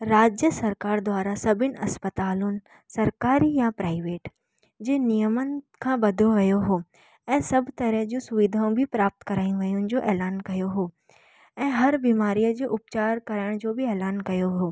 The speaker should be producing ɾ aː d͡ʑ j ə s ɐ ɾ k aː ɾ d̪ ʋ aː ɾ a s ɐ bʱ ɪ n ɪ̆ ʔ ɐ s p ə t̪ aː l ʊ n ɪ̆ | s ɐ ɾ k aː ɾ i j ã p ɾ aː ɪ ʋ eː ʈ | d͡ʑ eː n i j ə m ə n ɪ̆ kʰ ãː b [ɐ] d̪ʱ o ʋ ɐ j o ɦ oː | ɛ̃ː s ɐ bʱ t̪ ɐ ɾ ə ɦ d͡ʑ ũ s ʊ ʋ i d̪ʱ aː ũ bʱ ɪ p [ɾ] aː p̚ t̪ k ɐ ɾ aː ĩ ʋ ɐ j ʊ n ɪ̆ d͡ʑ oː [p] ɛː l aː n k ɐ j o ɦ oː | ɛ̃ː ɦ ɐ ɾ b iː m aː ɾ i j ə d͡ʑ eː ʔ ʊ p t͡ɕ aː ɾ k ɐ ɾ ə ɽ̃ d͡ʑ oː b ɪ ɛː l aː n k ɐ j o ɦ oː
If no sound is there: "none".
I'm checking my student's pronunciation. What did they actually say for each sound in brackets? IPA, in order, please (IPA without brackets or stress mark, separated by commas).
ɐ, ɾ, ʔ